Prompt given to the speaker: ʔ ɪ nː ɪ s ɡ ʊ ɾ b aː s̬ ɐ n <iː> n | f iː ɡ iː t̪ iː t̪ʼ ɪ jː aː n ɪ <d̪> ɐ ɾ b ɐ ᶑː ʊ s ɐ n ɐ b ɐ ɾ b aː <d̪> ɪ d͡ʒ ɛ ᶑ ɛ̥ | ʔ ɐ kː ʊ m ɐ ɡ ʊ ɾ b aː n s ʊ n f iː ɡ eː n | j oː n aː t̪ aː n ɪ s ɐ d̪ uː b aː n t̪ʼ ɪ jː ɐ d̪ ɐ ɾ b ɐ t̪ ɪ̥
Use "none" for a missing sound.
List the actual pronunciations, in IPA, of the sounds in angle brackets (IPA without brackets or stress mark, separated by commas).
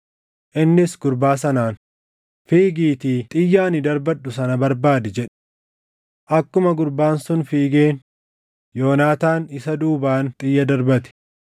aː, d̪, d̪